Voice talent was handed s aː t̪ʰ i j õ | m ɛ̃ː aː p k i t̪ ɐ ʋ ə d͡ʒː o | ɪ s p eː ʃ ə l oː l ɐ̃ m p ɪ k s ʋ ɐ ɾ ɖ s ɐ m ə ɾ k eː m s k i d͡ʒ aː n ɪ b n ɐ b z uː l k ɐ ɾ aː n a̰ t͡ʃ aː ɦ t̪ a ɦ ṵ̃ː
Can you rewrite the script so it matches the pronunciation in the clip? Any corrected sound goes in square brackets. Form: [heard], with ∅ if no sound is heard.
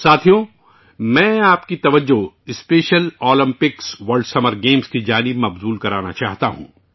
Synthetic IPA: s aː t̪ʰ i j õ | m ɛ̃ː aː p k i t̪ ɐ ʋ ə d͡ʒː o | ɪ s p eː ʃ ə l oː l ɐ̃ m p ɪ k s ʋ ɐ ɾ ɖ s ɐ m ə ɾ [ɡ] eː m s k i d͡ʒ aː n ɪ b [m] ɐ b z uː l k ɐ ɾ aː n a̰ t͡ʃ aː ɦ t̪ a ɦ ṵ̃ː